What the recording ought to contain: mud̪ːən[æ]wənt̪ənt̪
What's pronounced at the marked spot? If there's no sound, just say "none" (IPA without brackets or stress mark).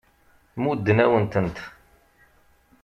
æ